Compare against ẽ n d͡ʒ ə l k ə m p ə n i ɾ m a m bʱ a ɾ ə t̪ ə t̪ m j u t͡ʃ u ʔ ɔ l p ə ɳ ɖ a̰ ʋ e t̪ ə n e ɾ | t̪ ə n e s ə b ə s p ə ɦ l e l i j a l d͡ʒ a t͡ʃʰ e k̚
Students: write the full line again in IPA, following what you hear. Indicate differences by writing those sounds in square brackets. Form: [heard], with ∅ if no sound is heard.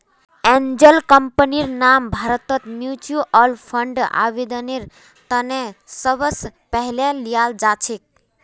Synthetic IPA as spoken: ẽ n d͡ʒ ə l k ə m p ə n i ɾ [n] a m bʱ a ɾ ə t̪ ə t̪ m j u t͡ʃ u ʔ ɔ l [pʰ] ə ɳ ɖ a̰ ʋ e [d̪] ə n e ɾ | t̪ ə n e s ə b ə s p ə ɦ l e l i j a l d͡ʒ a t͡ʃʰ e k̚

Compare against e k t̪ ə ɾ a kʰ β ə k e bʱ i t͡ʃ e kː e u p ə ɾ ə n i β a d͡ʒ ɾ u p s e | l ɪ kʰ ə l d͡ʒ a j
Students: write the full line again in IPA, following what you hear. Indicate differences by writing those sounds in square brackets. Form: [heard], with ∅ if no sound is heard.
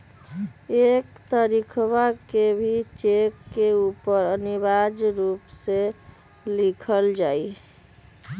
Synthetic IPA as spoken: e k t̪ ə ɾ [i] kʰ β [a] k e bʱ i t͡ʃ e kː e u p ə ɾ ə n i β a d͡ʒ ɾ u p s e | l [i] kʰ ə l d͡ʒ a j

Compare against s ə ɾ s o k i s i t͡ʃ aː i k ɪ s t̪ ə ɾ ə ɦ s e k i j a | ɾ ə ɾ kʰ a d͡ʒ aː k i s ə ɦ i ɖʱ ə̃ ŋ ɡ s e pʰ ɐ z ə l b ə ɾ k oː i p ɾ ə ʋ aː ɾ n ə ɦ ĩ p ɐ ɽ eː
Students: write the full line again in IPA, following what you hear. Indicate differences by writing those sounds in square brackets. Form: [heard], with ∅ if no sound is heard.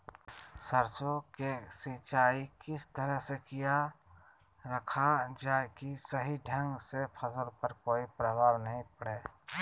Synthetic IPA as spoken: s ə ɾ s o k [e] s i t͡ʃ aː i k ɪ s t̪ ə ɾ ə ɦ s e k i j a | ɾ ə [∅] kʰ a d͡ʒ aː k i s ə ɦ i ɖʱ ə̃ ŋ ɡ s e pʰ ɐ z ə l [p] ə ɾ k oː i p ɾ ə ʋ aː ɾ n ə ɦ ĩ p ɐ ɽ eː

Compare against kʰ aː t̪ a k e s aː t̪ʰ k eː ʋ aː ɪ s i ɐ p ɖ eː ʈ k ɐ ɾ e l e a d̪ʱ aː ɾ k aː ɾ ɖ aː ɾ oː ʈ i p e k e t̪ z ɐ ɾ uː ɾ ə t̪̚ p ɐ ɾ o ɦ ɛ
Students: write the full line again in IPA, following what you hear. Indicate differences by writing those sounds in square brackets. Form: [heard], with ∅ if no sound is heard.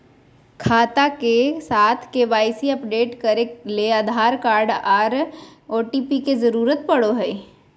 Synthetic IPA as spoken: kʰ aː t̪ a k e s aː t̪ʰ k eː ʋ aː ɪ s i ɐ p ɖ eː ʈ k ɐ ɾ e l e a d̪ʱ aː ɾ k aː ɾ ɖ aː ɾ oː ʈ i p [i] k e [∅] z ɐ ɾ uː ɾ ə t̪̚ p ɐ [ɽ] o ɦ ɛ

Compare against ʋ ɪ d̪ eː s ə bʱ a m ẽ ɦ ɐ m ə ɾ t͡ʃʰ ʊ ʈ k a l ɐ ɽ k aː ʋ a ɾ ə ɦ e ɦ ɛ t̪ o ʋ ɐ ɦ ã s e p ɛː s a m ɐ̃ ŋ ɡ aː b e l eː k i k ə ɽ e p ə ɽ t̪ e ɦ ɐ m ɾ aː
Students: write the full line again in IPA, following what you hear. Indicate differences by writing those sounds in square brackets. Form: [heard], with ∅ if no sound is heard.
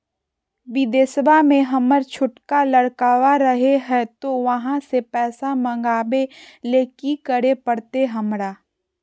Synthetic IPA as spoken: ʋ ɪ d̪ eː s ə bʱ a m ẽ ɦ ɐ m ə ɾ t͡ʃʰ ʊ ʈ k a l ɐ ɽ k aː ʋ a ɾ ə ɦ e ɦ ɛ t̪ o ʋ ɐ ɦ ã s e p ɛː s a m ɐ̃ ŋ ɡ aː b e l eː k i k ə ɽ e p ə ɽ t̪ e ɦ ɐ m ɾ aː

